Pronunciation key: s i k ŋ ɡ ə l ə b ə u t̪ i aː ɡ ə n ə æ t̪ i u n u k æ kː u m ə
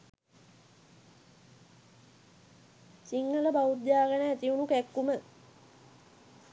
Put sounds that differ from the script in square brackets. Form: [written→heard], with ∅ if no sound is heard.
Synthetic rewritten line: s i [k→∅] ŋ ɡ ə l ə b [ə→a] u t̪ [i→j] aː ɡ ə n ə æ t̪ i u n u k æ kː u m ə

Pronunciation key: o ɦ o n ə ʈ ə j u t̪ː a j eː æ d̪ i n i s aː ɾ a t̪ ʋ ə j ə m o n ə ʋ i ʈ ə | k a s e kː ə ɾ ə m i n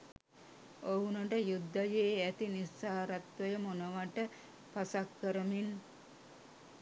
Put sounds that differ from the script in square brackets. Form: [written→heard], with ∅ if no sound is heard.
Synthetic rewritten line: o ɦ [o→u] n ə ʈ ə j u [t̪ː→d̪ː] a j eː æ [d̪→t̪] i n i s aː ɾ a t̪ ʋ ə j ə m o n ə ʋ [i→a] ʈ ə | [k→p] a s [e→a] kː ə ɾ ə m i n

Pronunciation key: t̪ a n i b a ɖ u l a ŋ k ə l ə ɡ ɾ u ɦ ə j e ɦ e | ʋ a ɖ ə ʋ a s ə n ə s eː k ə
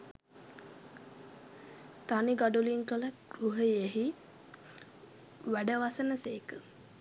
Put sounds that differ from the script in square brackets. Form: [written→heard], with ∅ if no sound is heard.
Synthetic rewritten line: t̪ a n i [b→ɡ] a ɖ u l [a→i] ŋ k ə l ə ɡ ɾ u ɦ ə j e ɦ [e→i] | ʋ [a→æ] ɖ ə ʋ a s ə n ə s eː k ə

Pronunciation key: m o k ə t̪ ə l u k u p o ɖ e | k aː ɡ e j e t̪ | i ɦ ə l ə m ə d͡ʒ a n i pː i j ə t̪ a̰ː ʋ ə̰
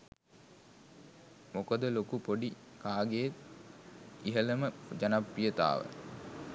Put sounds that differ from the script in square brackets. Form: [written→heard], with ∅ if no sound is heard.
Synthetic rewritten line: m o k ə [t̪→d̪] ə l [u→o] k u p o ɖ [e→i] | k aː ɡ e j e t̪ | i ɦ ə l ə m ə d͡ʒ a n [i→a] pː i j ə t̪ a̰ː ʋ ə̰

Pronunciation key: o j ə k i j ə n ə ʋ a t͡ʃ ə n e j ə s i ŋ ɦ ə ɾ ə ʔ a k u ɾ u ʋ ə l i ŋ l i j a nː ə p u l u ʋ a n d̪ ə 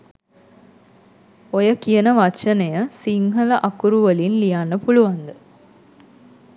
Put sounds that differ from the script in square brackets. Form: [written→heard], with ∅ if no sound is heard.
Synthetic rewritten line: o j ə k i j ə n ə ʋ a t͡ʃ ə n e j ə s i ŋ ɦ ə [ɾ→l] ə ʔ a k u ɾ u ʋ ə l i [ŋ→n] l i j a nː ə p u l u ʋ a n d̪ ə

